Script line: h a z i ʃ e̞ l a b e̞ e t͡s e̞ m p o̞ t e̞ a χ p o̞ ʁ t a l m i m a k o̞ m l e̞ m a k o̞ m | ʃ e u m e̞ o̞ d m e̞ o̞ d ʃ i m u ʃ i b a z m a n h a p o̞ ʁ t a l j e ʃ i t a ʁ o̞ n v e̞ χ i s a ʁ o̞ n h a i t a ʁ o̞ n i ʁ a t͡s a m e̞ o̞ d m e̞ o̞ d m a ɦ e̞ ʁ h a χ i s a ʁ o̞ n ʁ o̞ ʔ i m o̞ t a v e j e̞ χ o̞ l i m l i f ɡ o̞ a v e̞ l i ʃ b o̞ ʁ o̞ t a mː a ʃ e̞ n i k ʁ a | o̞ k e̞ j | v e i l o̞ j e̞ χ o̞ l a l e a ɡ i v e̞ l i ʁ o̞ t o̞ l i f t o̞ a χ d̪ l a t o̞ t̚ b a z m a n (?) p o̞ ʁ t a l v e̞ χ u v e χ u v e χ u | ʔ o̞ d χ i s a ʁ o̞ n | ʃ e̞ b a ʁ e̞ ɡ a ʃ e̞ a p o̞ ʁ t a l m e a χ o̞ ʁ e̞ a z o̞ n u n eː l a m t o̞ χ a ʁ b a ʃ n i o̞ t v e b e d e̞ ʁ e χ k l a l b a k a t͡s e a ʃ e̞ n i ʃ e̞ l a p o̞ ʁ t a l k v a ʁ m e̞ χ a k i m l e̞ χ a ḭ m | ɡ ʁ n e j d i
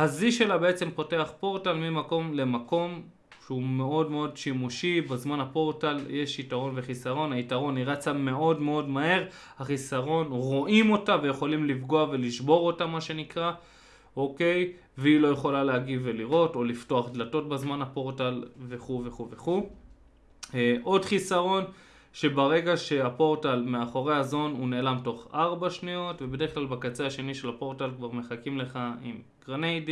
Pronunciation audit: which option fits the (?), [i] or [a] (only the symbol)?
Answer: a